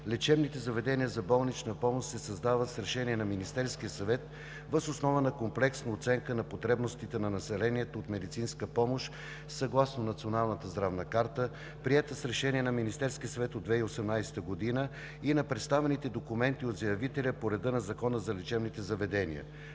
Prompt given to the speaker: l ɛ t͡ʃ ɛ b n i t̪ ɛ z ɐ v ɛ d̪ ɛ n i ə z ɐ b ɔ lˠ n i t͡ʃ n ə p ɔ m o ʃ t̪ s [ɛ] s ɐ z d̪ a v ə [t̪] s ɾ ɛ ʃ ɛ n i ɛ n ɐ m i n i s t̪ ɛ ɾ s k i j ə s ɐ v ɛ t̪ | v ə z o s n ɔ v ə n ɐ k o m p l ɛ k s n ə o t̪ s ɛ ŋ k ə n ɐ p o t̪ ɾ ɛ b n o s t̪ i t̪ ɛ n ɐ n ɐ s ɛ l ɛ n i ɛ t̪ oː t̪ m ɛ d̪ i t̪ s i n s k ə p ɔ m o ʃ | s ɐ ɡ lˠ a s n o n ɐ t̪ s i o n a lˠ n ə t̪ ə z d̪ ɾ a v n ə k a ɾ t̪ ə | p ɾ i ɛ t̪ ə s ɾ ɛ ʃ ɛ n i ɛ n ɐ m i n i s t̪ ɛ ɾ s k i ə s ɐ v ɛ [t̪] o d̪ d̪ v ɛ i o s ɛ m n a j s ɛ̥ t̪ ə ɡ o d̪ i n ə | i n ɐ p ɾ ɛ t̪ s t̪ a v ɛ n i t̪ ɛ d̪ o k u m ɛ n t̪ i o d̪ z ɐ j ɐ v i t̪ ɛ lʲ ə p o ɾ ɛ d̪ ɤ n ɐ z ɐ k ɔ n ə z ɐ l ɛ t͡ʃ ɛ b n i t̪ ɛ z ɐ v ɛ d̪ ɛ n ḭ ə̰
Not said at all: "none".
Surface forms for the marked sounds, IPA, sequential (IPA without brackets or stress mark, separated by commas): ɛ, t̪, t̪